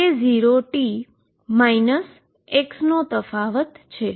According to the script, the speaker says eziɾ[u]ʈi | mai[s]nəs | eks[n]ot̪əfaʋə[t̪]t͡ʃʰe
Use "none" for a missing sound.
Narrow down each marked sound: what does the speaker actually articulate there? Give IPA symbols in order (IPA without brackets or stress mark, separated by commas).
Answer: o, none, n, t̪